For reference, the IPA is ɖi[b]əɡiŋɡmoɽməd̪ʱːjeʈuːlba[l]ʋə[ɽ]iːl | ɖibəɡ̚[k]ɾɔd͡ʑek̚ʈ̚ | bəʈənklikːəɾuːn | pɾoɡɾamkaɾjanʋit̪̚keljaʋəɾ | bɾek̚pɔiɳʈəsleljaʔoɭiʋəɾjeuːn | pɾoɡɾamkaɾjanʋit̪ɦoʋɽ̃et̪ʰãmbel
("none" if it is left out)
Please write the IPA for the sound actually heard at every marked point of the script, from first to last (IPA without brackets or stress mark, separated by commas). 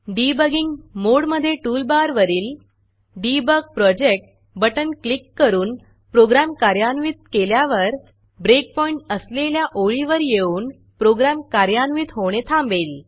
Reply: b, ɾ, ɾ, p